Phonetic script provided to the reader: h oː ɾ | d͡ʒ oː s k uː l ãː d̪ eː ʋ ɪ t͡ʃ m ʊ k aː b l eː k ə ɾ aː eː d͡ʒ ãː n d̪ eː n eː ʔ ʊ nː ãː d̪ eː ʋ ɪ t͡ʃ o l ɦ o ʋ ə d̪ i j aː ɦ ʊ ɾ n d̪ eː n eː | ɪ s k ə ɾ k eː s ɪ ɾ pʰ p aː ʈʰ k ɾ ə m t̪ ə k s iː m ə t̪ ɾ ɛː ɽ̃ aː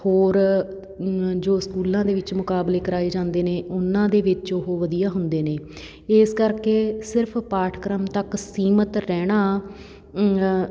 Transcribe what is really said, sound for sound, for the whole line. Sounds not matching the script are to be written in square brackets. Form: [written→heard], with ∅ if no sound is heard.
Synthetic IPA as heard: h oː ɾ | d͡ʒ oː s k uː l ãː d̪ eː ʋ ɪ t͡ʃ m ʊ k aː b l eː k ə ɾ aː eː d͡ʒ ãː n d̪ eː n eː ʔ ʊ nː ãː d̪ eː ʋ ɪ t͡ʃ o [l→∅] ɦ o ʋ ə d̪ i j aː ɦ ʊ [ɾ→∅] n d̪ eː n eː | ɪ s k ə ɾ k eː s ɪ ɾ pʰ p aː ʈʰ k ɾ ə m t̪ ə k s iː m ə t̪ ɾ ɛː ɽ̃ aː